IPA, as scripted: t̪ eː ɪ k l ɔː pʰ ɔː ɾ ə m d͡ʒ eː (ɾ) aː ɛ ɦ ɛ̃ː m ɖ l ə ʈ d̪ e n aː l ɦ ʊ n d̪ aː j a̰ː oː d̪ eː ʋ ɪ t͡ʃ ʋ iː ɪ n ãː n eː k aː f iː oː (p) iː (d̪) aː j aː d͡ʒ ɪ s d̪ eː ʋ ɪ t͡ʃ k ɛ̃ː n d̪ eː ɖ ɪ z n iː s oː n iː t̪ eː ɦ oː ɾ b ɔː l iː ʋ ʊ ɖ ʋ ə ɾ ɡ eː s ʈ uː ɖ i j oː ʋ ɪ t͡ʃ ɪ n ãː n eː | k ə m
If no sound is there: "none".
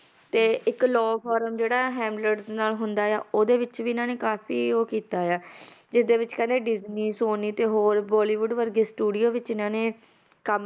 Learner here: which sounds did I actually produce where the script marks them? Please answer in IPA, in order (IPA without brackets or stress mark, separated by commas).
ɽ, k, t̪